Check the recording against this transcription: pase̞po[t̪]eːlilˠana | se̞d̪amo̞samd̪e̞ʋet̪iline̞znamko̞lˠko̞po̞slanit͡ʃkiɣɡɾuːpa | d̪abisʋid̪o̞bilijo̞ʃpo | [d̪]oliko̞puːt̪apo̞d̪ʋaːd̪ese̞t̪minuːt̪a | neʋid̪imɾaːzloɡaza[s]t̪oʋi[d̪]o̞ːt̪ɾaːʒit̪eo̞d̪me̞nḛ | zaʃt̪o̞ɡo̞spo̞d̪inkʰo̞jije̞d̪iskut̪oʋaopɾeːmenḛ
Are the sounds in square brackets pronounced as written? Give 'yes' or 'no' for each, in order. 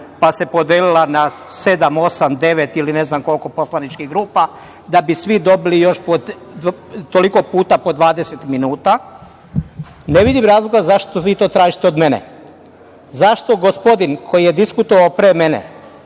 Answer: no, no, no, no

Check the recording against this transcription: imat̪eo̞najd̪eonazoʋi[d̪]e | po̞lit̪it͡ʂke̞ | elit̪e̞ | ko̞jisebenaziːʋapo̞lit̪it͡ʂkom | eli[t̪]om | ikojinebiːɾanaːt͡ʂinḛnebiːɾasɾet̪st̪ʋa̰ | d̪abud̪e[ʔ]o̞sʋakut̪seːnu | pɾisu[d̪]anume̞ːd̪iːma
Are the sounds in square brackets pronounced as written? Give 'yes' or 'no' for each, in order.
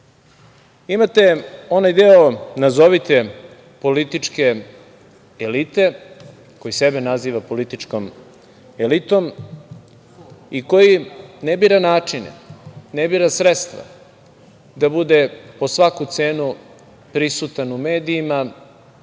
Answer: no, yes, no, no

